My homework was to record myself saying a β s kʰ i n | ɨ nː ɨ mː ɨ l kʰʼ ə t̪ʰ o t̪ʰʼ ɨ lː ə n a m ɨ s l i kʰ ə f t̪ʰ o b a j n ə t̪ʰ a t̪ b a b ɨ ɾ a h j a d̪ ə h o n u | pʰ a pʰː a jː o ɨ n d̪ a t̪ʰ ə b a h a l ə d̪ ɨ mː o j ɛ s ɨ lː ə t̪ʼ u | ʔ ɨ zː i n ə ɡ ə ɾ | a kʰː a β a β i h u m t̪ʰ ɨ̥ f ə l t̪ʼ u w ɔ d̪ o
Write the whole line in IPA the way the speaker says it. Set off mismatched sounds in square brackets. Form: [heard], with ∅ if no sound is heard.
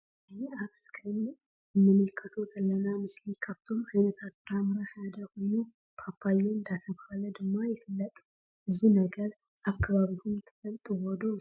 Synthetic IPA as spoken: a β s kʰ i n | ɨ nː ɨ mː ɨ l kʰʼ ə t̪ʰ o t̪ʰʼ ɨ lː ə n a m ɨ s l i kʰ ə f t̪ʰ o [m] a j n ə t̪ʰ a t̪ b a [m] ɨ ɾ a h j a d̪ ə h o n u | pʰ a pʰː a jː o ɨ n d̪ a t̪ʰ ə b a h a l ə d̪ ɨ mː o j ɛ [f] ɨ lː ə t̪ʼ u | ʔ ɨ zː i n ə ɡ ə ɾ | a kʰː a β a β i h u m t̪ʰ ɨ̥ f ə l t̪ʼ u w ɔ d̪ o